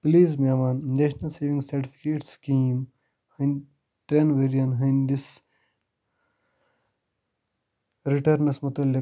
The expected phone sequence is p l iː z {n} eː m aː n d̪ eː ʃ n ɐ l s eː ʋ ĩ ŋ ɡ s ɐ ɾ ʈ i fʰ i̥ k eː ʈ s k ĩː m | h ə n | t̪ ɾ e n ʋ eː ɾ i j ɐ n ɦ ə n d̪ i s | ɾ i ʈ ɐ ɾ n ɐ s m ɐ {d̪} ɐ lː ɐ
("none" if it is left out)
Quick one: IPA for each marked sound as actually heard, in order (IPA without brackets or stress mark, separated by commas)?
m, t̪